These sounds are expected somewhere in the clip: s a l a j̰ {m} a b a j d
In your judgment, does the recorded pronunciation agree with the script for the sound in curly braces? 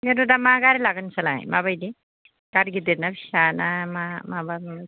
yes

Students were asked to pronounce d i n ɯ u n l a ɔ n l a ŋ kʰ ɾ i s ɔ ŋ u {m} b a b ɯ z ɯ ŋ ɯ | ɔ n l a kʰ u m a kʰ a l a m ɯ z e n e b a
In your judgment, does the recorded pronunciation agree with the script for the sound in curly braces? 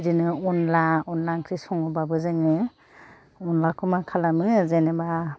no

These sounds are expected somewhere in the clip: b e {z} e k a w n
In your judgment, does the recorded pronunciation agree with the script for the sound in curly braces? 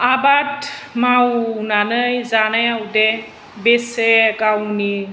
no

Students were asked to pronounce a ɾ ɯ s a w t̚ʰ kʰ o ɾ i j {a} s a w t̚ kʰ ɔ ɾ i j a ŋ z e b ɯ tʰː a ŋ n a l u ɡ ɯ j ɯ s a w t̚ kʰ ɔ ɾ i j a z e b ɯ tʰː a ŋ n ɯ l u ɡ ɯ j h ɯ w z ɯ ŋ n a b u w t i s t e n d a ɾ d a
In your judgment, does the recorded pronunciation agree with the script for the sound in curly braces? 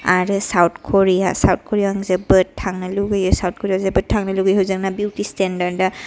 yes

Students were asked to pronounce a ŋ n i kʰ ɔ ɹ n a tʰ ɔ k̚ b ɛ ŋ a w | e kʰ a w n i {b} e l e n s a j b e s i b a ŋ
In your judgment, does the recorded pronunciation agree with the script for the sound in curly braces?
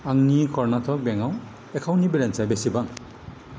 yes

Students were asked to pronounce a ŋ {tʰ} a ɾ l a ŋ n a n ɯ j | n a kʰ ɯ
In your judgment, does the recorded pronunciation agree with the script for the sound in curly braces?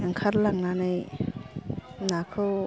no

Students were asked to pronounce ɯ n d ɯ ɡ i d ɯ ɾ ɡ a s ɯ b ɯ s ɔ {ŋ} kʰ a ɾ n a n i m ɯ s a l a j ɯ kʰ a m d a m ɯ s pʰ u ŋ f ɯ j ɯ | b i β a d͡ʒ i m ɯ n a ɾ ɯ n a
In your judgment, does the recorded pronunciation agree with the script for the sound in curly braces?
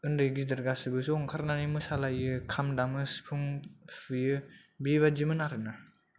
yes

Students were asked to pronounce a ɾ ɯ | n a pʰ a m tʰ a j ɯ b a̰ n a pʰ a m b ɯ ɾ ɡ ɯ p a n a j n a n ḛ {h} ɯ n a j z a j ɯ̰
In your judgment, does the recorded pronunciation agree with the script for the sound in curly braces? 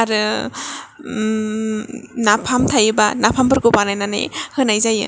yes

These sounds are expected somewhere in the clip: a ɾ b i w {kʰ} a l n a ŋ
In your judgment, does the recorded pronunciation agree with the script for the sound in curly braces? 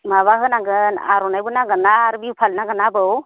no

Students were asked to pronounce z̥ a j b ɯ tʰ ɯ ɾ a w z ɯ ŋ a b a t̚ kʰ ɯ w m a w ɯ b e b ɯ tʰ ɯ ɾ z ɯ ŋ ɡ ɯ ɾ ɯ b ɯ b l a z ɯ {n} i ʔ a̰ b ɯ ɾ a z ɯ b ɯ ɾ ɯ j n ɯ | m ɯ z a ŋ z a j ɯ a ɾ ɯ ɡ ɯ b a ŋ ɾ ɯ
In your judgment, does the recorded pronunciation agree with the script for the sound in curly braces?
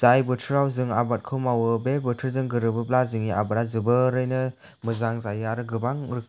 no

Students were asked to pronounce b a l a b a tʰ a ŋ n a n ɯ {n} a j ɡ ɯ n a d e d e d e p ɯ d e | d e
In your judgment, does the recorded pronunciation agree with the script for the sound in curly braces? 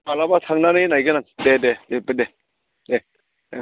yes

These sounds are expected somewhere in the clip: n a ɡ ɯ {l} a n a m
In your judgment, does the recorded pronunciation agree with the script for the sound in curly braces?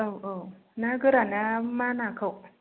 no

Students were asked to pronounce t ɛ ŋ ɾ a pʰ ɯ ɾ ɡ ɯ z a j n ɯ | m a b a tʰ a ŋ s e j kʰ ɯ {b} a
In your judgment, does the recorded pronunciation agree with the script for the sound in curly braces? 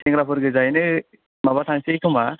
no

